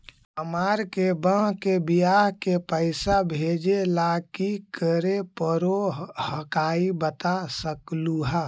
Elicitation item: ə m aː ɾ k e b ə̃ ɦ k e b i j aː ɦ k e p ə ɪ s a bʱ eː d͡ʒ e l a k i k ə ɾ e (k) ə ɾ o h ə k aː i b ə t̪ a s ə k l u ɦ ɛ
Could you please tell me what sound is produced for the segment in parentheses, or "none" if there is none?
p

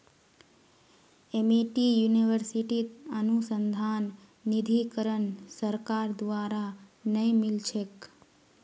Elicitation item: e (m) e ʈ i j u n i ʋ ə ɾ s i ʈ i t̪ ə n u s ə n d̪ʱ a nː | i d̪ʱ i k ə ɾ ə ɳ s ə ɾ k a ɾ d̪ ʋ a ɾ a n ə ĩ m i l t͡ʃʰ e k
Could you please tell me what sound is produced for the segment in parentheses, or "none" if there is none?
m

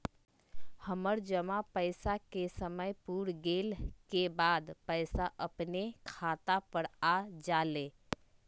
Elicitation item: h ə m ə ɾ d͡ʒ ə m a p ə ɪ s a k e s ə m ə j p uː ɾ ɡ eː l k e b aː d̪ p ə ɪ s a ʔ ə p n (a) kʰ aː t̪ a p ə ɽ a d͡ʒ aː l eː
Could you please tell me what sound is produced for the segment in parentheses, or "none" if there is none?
e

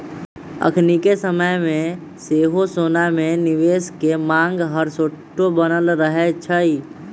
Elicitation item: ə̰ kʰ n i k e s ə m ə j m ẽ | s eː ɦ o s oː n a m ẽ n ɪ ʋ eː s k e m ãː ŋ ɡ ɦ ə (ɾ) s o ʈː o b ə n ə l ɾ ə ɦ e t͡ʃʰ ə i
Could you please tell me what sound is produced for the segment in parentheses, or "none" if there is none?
ɾ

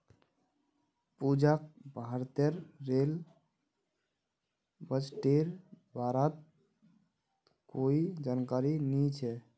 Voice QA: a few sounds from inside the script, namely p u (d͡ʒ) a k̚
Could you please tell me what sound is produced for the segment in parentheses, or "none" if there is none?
d͡ʒ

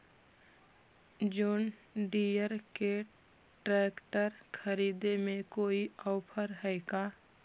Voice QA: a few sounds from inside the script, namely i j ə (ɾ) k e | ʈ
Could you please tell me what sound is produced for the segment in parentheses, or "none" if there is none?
ɾ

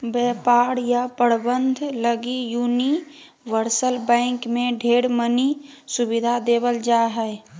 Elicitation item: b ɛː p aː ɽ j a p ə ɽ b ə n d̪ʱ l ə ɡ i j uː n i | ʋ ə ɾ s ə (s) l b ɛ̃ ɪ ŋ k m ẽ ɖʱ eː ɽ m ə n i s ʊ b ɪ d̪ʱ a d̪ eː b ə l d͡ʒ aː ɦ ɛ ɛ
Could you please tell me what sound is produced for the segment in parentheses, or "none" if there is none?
none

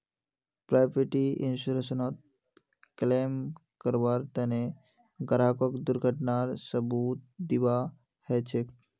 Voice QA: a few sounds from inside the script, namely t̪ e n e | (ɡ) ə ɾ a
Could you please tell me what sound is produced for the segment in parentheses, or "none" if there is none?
ɡ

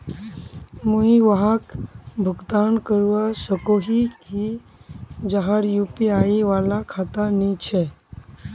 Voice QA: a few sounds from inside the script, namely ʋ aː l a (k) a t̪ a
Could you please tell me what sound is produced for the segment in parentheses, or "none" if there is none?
kʰ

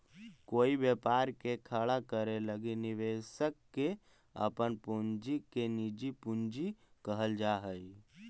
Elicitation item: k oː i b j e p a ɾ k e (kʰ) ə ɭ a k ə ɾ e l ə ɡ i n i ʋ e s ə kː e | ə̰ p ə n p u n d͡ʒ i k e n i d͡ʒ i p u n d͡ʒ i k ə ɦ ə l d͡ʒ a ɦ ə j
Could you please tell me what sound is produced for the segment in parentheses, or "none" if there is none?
kʰ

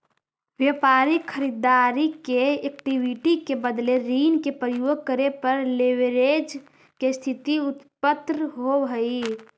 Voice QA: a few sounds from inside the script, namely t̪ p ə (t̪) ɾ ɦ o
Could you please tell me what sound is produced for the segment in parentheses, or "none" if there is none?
t̪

